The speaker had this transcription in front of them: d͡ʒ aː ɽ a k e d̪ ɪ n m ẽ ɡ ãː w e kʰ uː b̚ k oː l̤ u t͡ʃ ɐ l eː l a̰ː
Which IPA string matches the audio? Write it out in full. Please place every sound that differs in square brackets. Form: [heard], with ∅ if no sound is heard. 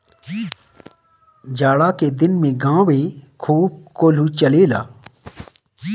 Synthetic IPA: d͡ʒ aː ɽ a k e d̪ ɪ n m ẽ ɡ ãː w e kʰ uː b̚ k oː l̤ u t͡ʃ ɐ l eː l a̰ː